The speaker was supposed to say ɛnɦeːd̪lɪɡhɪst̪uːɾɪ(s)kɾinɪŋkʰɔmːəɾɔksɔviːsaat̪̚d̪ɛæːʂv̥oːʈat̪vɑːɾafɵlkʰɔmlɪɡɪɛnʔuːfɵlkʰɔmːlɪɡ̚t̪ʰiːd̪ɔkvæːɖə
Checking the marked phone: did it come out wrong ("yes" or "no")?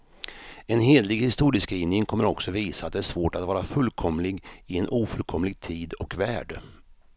no